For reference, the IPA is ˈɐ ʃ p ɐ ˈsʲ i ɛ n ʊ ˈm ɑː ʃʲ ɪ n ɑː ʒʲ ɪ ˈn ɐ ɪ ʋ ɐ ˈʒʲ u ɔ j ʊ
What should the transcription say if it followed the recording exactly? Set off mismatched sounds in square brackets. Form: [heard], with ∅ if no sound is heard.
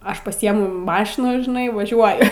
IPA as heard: ˈɐ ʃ p ɐ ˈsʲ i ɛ [m] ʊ ˈm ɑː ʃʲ ɪ n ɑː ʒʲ ɪ ˈn ɐ ɪ ʋ ɐ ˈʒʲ u ɔ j ʊ